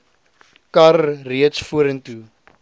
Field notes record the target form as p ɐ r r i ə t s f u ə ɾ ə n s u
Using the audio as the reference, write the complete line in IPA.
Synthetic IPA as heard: k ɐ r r i ə t s f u ə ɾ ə n t u